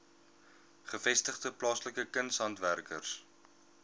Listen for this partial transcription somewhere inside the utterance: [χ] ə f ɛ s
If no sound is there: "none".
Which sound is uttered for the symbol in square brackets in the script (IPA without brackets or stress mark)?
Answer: χ